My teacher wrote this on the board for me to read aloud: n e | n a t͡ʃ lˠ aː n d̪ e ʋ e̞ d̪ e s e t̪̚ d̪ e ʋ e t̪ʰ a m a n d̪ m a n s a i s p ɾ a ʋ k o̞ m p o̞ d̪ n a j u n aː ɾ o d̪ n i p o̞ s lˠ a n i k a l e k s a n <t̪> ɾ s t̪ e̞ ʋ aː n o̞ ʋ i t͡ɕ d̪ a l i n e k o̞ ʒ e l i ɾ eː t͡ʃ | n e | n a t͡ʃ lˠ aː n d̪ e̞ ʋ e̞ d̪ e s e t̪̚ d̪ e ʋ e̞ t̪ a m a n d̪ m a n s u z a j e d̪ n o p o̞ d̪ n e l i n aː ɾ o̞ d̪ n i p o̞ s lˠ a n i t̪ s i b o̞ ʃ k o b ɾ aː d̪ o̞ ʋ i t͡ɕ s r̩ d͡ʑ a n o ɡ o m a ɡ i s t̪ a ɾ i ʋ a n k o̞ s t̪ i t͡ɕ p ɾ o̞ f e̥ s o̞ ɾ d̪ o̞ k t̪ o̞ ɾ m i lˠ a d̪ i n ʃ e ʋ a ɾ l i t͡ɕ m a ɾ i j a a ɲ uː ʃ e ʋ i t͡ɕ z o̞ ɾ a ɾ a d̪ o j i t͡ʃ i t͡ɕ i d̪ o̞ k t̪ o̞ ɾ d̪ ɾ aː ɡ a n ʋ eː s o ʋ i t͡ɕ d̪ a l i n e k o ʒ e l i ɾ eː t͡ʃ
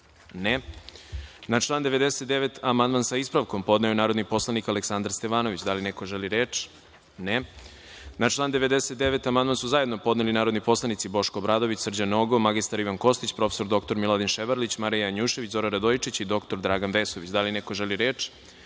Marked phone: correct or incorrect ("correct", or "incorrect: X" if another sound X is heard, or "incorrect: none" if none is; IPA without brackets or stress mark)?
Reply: incorrect: d̪